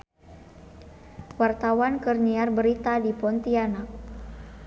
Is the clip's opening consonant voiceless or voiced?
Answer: voiced